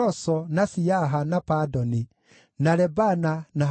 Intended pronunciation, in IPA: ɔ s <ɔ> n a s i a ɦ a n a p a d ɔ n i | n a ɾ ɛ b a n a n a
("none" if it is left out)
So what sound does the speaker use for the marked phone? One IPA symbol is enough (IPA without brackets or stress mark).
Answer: ɔ